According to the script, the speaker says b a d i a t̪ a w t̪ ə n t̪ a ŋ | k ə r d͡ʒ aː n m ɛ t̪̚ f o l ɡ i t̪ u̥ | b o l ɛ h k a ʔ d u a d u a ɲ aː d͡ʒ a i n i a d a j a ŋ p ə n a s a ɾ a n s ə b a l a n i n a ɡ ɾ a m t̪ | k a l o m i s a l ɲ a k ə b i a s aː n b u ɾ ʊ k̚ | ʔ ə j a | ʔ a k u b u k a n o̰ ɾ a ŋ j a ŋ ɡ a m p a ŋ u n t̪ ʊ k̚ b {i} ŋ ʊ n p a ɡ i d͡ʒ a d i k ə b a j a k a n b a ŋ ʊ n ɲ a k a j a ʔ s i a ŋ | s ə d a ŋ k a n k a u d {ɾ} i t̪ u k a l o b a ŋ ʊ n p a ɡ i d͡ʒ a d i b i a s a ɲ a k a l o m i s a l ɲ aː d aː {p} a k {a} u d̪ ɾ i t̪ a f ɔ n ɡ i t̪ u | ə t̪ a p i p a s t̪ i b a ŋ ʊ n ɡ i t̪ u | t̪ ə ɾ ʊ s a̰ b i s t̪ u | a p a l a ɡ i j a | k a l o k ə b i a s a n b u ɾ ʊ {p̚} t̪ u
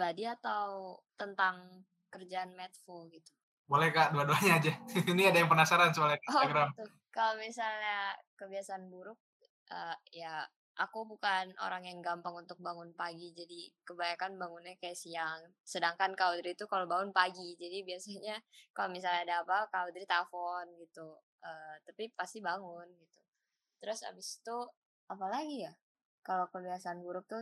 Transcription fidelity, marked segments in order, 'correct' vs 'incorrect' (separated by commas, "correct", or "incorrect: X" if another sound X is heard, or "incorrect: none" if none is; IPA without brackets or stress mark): incorrect: a, correct, correct, correct, incorrect: k̚